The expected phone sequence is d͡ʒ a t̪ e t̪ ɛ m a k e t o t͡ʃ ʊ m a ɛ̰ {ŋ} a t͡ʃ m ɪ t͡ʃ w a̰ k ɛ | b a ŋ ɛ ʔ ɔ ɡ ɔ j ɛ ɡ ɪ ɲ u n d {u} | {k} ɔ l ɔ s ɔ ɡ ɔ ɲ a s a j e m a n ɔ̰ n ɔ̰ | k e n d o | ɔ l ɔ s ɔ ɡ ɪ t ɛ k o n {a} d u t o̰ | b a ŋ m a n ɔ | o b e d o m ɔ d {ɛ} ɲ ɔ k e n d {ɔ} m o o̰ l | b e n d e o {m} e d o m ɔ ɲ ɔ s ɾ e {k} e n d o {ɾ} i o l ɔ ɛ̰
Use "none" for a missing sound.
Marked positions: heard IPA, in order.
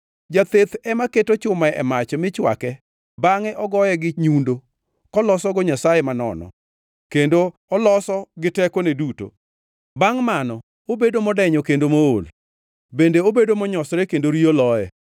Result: m, o, k, e, ɛ, o, b, k, ɾ

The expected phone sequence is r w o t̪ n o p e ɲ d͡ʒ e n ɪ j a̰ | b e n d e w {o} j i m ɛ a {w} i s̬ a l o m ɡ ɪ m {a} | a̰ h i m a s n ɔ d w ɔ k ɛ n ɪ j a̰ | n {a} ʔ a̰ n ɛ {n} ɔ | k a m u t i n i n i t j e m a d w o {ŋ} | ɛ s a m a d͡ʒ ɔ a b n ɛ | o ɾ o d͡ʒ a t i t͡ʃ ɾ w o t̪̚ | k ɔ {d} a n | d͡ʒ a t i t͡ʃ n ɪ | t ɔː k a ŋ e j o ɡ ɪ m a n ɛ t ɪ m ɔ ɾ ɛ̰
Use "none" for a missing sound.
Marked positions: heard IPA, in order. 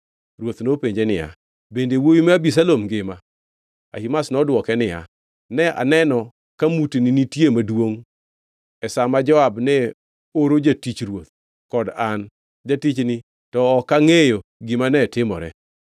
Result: o, b, a, ɛ, n, ŋ, d

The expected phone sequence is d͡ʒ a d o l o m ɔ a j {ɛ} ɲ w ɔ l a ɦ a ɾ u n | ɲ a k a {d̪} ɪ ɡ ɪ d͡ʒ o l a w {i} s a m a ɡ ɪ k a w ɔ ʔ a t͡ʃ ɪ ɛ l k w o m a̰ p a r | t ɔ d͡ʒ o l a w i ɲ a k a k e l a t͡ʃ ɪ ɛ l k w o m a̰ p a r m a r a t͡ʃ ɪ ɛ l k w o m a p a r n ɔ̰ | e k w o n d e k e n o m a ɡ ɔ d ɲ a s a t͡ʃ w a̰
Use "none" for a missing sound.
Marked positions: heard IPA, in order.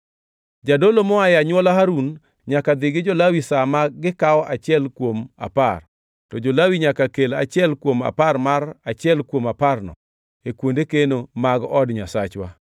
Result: a, d̪, i

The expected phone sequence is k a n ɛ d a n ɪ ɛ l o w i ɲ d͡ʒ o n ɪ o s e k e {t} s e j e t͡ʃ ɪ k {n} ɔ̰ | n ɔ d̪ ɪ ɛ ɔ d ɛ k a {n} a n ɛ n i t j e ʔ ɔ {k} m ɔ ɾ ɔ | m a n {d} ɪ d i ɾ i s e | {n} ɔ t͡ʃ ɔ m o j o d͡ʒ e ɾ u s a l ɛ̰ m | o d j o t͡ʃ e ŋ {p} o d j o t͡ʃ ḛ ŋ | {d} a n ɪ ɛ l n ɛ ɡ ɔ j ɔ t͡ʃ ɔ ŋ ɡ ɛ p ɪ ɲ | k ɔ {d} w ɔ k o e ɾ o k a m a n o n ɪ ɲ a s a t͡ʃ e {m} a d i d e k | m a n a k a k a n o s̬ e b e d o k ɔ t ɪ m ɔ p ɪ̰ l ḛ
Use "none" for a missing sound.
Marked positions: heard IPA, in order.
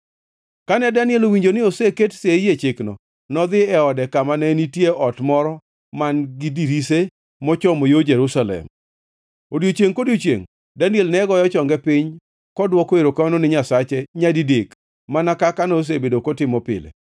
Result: t, n, m, t, ɡ, m, k, d, d, ɲ

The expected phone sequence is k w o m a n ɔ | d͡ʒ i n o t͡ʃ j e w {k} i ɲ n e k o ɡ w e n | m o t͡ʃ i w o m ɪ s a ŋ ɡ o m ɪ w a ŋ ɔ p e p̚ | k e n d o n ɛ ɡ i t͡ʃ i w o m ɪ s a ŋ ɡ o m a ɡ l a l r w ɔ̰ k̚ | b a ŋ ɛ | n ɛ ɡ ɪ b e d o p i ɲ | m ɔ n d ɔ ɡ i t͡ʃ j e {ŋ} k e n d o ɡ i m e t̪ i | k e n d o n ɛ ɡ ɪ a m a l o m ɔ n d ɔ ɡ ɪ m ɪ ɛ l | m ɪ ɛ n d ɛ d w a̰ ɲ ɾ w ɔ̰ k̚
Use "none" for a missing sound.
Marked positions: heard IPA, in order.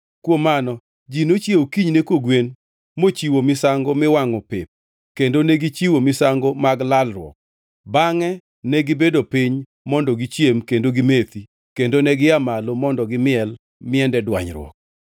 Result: k, m

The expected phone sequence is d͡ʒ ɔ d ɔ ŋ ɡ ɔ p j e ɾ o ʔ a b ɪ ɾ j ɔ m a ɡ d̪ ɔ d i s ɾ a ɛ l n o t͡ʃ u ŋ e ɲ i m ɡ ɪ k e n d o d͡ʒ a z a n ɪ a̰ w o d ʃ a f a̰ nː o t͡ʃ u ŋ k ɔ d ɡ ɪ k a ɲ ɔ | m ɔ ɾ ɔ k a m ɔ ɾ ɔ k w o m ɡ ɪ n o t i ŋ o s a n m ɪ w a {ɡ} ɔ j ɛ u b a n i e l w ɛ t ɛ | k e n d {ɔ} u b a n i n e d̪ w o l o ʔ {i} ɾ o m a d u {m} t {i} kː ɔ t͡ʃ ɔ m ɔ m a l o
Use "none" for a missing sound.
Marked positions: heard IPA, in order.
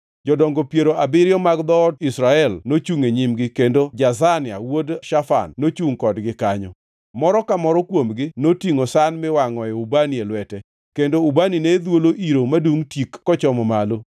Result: ŋ, o, i, ŋ, i

